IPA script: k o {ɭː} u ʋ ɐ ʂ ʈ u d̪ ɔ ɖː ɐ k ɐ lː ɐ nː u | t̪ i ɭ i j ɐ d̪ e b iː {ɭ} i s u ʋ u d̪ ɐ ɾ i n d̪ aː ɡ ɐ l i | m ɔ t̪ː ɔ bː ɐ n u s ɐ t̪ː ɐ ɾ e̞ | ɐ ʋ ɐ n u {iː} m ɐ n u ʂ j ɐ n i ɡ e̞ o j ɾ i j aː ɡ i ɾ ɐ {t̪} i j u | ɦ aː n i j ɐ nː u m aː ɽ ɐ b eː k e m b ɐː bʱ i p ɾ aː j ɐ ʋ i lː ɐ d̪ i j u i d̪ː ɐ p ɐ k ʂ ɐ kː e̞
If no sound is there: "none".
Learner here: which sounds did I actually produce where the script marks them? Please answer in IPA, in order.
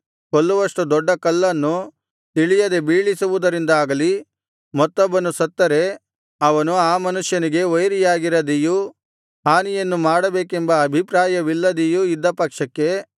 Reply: lː, ɭ, aː, d̪

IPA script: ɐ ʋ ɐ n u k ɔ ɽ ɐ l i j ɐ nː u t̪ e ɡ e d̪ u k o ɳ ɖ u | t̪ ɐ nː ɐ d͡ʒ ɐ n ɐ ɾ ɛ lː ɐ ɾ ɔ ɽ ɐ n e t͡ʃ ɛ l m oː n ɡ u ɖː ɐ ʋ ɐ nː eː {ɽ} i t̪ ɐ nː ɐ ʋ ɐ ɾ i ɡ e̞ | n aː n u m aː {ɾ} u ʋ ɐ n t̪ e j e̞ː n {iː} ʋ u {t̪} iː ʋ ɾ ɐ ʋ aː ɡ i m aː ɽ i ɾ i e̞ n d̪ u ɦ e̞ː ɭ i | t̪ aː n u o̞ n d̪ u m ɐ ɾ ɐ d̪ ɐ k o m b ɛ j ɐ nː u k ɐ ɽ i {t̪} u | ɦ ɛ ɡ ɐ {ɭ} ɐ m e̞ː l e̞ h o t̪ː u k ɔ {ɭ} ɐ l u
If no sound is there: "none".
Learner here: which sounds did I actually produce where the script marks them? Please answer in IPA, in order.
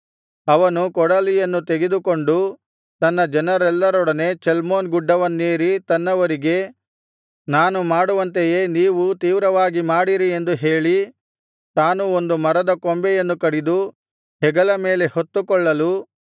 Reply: ɾ, ɽ, iː, t̪, d̪, l, ɭː

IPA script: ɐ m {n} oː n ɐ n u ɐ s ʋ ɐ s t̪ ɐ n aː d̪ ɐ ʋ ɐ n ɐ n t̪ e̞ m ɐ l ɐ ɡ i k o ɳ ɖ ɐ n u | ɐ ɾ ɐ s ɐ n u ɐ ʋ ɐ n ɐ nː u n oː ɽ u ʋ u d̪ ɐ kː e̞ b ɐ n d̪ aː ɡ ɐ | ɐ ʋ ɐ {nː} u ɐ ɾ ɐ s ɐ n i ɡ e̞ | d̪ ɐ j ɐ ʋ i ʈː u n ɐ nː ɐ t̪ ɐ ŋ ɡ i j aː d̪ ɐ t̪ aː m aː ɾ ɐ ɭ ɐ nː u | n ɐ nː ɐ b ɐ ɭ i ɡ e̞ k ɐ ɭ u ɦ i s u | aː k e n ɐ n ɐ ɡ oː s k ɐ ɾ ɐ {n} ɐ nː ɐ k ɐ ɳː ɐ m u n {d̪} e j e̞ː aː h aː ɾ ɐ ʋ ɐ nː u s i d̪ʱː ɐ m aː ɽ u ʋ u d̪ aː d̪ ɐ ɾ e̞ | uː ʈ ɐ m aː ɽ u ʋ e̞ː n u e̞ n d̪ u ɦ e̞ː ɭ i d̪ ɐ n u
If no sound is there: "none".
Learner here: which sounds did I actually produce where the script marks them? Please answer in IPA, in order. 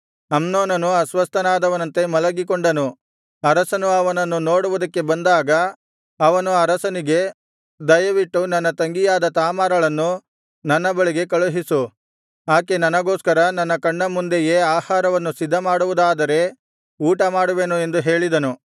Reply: n, n, n, d̪

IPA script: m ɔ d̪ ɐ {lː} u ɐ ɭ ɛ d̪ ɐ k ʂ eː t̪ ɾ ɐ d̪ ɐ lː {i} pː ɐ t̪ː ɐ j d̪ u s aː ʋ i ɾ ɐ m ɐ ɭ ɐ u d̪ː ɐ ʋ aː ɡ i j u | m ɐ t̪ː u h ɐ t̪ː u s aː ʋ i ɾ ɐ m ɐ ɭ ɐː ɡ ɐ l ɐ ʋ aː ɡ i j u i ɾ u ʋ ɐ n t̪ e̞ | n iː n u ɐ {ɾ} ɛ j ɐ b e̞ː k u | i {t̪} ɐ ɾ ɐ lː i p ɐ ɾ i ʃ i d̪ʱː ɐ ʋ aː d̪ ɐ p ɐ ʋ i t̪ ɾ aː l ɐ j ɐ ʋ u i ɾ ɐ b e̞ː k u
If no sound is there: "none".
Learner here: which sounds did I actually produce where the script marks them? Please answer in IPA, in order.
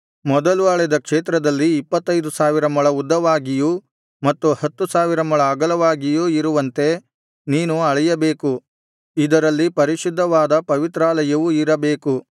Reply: l, iː, ɭ, d̪

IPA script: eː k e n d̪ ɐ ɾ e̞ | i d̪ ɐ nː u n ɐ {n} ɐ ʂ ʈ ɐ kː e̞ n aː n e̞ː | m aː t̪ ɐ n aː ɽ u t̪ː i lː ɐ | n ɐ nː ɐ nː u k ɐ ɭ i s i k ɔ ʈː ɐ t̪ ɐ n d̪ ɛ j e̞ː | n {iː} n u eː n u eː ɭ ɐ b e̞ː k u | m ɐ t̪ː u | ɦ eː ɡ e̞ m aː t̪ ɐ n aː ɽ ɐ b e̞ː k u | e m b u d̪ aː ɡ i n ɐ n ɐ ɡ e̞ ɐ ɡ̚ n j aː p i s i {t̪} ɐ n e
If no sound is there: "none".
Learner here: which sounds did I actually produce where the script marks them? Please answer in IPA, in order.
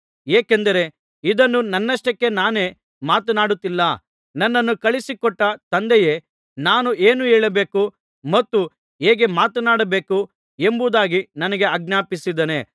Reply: nː, aː, d̪

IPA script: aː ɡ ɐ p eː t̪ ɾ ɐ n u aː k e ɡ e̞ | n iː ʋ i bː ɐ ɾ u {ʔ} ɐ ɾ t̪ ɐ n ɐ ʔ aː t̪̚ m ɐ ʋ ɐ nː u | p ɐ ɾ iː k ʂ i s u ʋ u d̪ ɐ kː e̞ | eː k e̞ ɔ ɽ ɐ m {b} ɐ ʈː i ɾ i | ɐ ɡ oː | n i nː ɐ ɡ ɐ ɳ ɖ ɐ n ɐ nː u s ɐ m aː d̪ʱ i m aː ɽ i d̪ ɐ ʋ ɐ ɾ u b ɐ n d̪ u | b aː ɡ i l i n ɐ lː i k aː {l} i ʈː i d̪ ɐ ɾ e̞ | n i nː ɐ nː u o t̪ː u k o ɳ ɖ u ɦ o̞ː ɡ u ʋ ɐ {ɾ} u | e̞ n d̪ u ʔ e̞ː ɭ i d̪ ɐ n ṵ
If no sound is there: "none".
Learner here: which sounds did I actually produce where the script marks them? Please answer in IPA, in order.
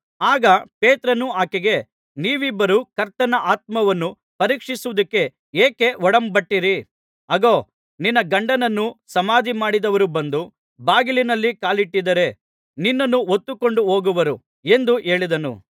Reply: k, b, l, ɾ

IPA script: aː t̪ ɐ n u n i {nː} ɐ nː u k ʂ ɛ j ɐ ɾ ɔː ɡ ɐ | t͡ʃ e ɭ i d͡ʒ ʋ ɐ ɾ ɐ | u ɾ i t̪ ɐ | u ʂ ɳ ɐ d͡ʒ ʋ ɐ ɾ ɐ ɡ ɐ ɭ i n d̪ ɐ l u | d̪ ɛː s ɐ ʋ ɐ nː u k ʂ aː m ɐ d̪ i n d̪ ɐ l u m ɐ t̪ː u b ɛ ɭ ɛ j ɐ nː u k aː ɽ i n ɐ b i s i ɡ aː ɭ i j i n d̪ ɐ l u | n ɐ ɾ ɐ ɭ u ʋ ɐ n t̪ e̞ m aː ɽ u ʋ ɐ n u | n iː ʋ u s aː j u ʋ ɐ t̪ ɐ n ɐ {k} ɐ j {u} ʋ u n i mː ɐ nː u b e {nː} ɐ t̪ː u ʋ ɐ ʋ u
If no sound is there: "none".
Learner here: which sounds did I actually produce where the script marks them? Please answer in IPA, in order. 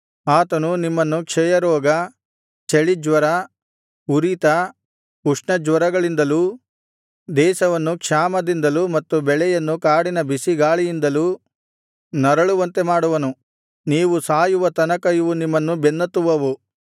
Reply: mː, k, u, nː

